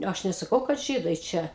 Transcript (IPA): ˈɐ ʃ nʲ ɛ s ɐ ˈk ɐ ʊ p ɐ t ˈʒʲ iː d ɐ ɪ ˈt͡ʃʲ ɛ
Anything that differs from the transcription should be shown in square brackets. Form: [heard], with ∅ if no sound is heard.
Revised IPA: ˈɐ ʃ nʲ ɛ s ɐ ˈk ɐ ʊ [k] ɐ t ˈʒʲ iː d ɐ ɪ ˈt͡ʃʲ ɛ